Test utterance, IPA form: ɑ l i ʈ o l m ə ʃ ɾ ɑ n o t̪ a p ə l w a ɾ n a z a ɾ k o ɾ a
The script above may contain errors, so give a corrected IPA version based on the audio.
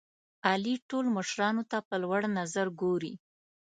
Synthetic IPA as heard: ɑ l i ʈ o l m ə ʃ ɾ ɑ n o t̪ a p ə l w a ɽ n a z a ɾ ɡ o ɾ i